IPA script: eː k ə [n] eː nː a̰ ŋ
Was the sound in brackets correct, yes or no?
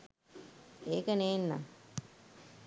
yes